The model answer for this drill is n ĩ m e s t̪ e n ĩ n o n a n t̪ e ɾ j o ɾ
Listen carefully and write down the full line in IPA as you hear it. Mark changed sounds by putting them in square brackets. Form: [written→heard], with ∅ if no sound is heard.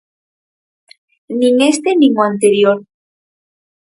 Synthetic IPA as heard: n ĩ [m→ŋ] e s t̪ e n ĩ [n→ŋ] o [n→∅] a n t̪ e ɾ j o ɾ